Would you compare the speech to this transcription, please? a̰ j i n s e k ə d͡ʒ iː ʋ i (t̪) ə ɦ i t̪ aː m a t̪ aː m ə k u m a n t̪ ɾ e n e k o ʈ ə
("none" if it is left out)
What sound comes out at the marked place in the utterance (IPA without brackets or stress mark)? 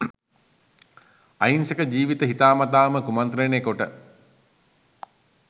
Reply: t̪